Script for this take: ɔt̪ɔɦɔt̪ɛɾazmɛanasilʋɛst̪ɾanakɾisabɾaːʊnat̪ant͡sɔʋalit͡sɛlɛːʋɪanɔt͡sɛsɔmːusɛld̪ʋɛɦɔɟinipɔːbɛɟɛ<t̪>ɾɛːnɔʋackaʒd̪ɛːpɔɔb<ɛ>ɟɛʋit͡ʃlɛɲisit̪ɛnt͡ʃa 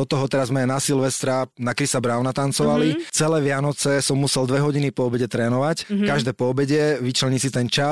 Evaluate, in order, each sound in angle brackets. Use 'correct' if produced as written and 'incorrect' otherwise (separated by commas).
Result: correct, correct